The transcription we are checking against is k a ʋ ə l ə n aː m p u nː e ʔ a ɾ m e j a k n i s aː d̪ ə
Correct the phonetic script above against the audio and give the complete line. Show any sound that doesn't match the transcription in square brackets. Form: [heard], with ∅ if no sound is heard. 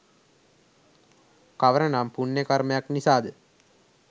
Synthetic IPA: k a ʋ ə [ɾ] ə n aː m p u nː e [k] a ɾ m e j a k n i s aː d̪ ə